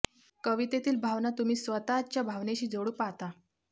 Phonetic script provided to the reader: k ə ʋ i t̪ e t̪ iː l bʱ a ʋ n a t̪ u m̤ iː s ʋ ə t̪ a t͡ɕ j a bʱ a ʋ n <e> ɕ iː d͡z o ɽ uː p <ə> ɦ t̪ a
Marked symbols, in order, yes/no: yes, no

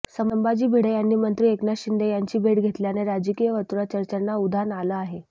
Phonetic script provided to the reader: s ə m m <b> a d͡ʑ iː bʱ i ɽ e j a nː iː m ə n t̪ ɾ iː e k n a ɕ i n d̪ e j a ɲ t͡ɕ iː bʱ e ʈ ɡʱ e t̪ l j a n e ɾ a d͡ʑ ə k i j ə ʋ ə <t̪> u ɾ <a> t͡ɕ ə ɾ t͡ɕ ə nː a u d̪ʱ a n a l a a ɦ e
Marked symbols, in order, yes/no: yes, yes, yes

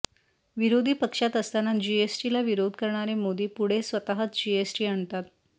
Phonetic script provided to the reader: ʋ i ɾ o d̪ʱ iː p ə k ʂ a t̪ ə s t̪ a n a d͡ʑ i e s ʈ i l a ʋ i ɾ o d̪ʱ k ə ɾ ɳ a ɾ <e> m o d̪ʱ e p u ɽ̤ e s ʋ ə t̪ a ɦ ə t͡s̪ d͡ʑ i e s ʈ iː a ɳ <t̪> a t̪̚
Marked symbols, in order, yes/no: yes, yes

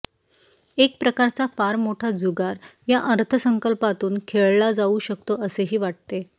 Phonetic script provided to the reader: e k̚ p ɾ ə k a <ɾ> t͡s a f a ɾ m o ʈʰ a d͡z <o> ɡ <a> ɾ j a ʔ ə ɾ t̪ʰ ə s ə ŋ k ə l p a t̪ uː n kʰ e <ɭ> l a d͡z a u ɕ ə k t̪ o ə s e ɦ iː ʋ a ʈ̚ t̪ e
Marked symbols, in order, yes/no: yes, no, yes, yes

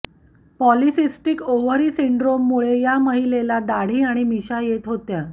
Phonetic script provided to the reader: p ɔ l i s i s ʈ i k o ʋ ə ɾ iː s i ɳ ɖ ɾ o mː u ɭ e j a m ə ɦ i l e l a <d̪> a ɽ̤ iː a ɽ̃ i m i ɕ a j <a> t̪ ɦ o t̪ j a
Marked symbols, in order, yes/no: yes, no

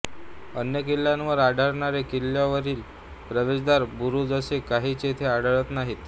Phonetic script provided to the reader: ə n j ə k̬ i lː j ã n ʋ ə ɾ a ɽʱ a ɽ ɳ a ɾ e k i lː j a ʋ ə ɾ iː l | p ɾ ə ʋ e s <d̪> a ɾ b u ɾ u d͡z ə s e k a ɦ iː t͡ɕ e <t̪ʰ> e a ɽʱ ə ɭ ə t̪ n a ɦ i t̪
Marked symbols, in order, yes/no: yes, yes

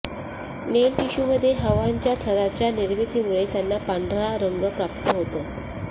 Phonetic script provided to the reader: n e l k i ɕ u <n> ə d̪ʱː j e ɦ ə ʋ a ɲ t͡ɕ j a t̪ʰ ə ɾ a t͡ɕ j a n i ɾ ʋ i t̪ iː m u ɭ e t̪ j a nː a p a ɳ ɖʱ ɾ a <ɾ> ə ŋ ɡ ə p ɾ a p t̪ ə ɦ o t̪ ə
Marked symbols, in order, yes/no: no, yes

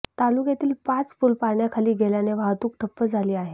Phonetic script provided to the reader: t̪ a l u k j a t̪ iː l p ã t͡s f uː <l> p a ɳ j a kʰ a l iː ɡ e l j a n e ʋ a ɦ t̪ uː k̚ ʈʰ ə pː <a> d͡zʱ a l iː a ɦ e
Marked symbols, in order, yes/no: yes, no

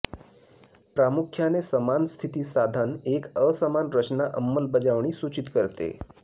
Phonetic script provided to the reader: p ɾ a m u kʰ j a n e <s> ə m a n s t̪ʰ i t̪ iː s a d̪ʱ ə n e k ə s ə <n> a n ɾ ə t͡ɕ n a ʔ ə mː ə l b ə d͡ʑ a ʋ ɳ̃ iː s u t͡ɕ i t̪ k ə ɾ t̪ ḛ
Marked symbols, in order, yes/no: yes, no

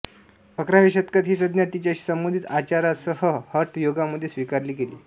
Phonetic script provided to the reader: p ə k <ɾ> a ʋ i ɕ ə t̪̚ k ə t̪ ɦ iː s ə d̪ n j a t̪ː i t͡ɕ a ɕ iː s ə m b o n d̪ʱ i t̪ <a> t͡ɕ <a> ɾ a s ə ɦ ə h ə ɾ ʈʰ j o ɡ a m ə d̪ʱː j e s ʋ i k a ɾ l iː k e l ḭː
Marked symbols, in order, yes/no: yes, yes, yes

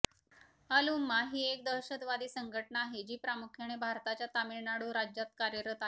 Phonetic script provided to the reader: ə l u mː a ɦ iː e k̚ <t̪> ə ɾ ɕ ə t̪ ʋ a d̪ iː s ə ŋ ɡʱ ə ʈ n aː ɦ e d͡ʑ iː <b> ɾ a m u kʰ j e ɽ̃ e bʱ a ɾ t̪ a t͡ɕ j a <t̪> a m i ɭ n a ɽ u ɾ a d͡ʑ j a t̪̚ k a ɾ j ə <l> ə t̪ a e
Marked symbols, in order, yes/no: no, no, yes, no

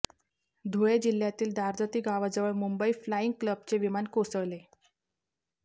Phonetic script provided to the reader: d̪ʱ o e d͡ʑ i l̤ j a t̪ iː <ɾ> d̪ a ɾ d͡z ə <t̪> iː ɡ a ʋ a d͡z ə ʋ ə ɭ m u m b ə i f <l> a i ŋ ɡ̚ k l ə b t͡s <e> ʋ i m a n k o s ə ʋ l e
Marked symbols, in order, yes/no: no, yes, yes, yes

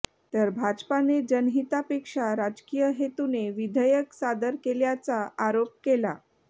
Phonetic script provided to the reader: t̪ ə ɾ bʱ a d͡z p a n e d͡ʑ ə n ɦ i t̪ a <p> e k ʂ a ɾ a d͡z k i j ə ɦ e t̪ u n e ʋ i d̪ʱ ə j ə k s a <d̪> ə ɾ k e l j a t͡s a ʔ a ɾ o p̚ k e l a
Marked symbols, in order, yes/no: yes, yes

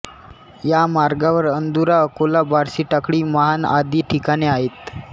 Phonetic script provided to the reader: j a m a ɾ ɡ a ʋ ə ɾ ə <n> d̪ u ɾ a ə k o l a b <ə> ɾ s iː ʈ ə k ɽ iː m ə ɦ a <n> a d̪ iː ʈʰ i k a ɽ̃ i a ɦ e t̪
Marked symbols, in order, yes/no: yes, no, yes

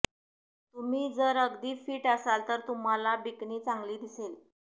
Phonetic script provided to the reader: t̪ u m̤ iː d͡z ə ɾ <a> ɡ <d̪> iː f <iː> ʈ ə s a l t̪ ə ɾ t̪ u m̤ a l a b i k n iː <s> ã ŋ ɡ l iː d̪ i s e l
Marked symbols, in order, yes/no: no, yes, yes, no

